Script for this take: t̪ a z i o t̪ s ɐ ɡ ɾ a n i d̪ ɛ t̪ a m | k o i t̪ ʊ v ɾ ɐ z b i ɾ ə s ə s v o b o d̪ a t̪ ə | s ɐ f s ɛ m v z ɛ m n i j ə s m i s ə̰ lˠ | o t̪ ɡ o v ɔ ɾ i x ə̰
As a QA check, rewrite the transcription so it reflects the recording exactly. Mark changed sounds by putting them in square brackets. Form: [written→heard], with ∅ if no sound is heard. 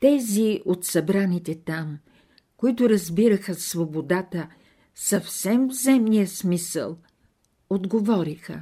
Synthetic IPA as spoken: t̪ [a→ɛ] z i o t̪ s ɐ [ɡ→b] ɾ a n i [d̪→t̪] ɛ t̪ a m | k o i t̪ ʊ [v→∅] ɾ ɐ z b i ɾ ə [s→x] ə s v o b o d̪ a t̪ ə | s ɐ f s ɛ m v z ɛ m n i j ə s m i s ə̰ lˠ | o [t̪→d̪] ɡ o v ɔ ɾ i x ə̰